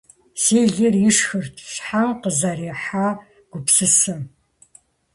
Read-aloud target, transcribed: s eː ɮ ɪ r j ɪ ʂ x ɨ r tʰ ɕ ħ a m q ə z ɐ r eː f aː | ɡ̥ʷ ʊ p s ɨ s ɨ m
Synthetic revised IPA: s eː ɮ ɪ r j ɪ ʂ x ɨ r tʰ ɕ ħ a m q ə z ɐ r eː ħ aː | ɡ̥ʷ ʊ p s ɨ s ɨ m